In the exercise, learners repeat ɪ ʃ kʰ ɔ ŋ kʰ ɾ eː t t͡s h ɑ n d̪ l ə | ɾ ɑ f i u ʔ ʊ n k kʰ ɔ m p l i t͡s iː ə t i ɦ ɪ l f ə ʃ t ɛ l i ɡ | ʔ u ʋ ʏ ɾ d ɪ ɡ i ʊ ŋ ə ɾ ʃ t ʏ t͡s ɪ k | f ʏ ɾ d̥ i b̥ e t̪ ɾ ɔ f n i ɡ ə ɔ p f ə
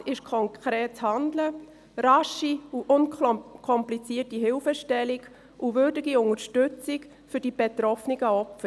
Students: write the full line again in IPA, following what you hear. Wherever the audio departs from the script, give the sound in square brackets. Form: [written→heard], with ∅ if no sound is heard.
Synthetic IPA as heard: ɪ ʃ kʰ ɔ ŋ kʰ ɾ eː t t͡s h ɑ n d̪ l ə | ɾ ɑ [f→ʃ] i u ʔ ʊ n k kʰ ɔ m p l i t͡s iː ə t i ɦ ɪ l f ə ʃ t ɛ l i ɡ | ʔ u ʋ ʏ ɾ d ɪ ɡ i ʊ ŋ ə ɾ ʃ t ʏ t͡s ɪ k | f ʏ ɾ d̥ i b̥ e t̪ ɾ ɔ f n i ɡ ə ɔ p f ə